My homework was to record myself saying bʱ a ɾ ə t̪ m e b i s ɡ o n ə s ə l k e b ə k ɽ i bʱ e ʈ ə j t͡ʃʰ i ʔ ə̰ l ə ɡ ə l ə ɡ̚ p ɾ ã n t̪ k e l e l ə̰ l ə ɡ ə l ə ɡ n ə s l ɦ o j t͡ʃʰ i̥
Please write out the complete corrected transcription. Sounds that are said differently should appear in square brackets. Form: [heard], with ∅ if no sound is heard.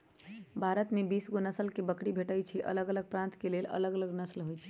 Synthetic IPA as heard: bʱ a ɾ ə t̪ m e b i s ɡ o n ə s ə l k e b ə k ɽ i bʱ e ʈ ə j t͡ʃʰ i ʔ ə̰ l ə ɡ ə l ə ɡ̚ p ɾ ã n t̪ k e l e l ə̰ l ə ɡ ə l ə ɡ n ə s l ɦ o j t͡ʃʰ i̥